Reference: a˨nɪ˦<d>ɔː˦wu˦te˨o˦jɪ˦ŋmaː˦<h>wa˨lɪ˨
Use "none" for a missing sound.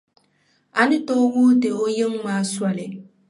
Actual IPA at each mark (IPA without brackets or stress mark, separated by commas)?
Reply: t, s